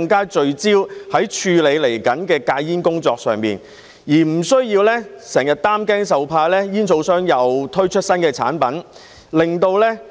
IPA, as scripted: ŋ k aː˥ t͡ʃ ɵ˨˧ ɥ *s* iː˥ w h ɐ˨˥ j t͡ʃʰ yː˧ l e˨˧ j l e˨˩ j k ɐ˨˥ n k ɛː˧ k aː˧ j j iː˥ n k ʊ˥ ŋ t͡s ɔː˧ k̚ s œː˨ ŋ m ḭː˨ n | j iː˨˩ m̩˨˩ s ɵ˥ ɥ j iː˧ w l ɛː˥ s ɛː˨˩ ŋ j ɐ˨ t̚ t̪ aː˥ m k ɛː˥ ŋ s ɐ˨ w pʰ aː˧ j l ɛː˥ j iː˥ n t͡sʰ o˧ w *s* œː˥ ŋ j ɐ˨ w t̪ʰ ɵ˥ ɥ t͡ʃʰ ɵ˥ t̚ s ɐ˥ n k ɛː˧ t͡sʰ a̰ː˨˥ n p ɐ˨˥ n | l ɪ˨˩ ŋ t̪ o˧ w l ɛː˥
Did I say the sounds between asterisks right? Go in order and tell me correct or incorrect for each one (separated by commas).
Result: incorrect, correct